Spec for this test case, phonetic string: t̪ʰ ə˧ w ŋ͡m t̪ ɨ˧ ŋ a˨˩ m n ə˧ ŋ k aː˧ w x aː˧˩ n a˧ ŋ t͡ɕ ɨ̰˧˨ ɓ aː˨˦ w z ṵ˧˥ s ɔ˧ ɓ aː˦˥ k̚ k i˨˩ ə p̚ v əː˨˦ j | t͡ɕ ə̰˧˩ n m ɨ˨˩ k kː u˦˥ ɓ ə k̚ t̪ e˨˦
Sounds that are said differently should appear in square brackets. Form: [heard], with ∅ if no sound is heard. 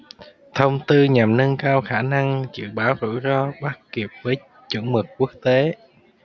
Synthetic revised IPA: t̪ʰ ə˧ w ŋ͡m t̪ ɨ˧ [ɲ] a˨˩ m n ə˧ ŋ k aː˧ w x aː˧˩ n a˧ ŋ t͡ɕ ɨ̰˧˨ ɓ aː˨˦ w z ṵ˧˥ [z] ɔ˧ ɓ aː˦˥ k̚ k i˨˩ ə p̚ v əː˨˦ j | t͡ɕ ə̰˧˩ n m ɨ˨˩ k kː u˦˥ [∅] ə k̚ t̪ e˨˦